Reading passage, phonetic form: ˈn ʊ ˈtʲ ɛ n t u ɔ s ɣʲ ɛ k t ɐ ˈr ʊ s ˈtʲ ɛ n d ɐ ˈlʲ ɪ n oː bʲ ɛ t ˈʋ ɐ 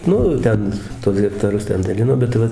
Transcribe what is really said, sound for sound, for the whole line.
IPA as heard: ˈn ʊ ˈtʲ ɛ n t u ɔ s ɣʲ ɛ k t ɐ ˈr ʊ s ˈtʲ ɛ n d ɐ ˈlʲ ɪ n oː bʲ ɛ t ˈʋ ɐ